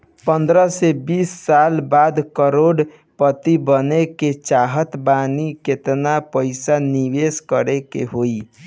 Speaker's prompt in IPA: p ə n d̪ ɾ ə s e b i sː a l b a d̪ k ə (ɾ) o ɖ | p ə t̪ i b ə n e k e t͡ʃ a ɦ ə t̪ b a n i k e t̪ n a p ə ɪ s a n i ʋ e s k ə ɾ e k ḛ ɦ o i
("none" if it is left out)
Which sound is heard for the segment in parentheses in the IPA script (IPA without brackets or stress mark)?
ɾ